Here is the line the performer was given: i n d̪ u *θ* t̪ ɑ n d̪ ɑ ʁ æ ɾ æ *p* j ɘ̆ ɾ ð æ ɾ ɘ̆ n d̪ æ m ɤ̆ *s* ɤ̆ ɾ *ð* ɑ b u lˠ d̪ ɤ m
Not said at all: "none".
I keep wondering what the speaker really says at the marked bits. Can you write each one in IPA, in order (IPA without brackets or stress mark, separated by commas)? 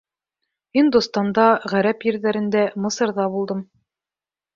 s, p, s, ð